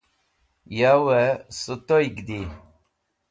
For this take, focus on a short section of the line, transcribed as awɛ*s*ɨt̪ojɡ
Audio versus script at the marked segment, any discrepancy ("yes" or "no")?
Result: no